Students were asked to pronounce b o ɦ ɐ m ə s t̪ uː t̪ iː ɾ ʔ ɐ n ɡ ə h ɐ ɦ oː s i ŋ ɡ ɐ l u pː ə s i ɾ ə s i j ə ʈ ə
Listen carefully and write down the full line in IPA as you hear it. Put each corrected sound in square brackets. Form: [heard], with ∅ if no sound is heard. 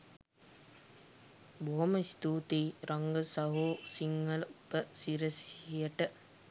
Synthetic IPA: b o ɦ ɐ m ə s t̪ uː t̪ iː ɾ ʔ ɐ [ŋ] ɡ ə [s] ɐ ɦ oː s i ŋ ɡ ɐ l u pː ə s i ɾ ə s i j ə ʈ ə